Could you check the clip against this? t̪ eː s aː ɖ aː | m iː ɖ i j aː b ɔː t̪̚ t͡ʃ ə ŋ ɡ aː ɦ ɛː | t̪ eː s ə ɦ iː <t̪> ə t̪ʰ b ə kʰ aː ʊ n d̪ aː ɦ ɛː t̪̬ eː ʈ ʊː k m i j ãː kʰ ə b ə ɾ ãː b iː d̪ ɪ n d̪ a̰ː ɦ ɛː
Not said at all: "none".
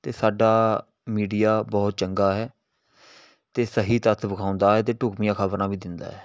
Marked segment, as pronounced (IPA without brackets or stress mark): t̪